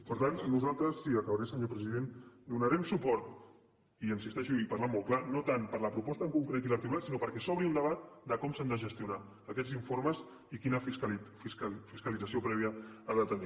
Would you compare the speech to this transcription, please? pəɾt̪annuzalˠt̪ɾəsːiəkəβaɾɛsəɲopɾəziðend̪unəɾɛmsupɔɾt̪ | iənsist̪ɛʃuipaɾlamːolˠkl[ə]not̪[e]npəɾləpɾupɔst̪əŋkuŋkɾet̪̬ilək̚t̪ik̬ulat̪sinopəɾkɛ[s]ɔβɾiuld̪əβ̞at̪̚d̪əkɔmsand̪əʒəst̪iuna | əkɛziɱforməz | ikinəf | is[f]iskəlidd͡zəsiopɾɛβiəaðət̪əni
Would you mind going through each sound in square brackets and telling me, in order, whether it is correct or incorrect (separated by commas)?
incorrect, incorrect, correct, correct